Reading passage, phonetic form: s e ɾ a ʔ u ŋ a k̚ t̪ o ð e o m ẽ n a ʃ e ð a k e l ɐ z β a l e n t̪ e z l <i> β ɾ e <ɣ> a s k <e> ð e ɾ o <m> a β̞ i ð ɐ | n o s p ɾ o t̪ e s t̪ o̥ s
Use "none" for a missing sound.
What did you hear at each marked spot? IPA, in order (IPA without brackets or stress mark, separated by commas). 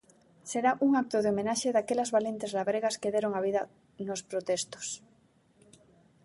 a, ɣ, e, ŋ